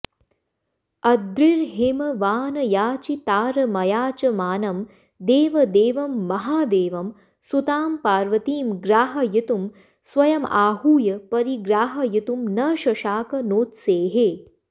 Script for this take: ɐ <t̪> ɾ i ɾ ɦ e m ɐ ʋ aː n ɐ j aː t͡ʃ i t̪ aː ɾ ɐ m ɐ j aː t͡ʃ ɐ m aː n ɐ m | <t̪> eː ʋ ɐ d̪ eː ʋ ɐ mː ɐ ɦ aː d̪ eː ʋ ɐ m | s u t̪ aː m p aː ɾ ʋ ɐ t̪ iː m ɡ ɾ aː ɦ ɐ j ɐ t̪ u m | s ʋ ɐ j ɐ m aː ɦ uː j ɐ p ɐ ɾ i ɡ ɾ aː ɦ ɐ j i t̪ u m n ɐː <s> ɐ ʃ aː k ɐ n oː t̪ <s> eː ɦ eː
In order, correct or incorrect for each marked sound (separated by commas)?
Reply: incorrect, incorrect, incorrect, correct